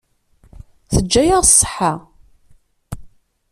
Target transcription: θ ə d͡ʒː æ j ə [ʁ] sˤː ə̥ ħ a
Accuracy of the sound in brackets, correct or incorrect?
correct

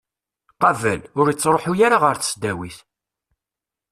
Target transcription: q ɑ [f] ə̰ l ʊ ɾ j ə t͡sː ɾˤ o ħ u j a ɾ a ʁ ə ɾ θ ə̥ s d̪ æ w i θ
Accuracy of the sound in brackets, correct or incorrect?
incorrect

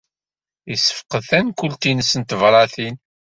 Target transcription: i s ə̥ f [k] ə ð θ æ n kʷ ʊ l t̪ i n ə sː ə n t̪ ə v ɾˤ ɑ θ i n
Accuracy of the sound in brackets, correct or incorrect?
incorrect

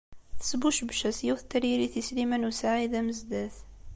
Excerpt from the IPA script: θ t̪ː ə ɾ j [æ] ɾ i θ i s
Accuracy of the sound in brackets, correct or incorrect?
incorrect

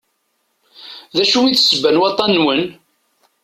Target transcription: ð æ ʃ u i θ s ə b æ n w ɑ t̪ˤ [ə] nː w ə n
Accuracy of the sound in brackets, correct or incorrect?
incorrect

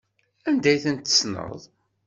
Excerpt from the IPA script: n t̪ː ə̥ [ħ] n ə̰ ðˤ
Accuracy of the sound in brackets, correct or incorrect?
incorrect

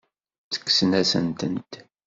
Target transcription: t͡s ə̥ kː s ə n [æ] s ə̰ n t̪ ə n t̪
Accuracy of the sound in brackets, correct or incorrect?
correct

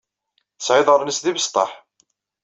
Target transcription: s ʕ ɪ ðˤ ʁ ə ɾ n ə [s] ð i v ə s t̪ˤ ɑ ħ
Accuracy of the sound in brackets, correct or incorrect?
correct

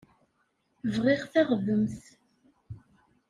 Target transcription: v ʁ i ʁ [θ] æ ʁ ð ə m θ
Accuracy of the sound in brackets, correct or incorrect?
correct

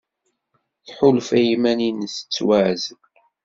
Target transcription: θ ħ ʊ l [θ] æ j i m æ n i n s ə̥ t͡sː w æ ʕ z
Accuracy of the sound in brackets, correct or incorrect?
incorrect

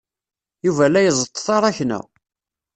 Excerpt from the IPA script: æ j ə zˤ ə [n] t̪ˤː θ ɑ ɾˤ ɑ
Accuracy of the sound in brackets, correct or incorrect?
incorrect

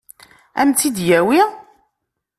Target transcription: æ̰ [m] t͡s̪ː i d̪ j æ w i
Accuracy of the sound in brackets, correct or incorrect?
correct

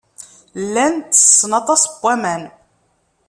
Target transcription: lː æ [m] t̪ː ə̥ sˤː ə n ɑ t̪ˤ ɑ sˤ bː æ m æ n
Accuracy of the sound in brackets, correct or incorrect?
incorrect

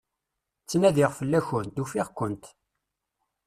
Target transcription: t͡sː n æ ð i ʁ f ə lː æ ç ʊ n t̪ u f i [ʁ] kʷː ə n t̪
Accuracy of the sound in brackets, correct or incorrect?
correct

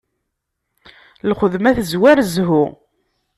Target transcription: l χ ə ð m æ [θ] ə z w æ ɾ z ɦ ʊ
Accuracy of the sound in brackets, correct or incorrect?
correct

